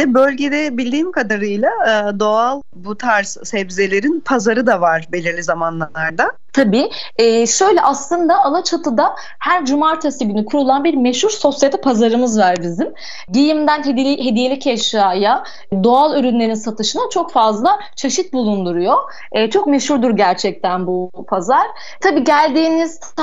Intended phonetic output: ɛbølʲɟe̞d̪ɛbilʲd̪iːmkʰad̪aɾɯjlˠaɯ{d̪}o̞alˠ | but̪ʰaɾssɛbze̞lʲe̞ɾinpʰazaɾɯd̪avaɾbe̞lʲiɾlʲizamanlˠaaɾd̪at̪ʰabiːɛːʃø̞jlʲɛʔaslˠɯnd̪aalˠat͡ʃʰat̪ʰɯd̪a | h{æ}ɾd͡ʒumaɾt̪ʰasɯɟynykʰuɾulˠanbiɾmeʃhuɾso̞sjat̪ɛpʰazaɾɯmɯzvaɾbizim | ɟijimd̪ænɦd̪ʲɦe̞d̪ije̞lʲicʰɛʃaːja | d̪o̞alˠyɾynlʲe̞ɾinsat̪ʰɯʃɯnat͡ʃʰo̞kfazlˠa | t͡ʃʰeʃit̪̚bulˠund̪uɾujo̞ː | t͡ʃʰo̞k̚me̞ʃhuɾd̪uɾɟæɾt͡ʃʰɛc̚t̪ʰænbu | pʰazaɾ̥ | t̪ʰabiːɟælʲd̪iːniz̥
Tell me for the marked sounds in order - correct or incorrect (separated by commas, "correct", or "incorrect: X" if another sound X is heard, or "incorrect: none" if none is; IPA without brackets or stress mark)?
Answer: correct, correct